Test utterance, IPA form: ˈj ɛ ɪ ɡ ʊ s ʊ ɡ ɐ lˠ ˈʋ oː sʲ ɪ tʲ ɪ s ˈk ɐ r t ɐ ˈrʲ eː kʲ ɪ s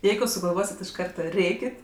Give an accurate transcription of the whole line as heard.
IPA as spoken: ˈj ɛ ɪ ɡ ʊ s ʊ ɡ ɐ lˠ ˈʋ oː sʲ ɪ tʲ ɪ ʃ ˈk ɐ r t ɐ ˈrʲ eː kʲ ɪ t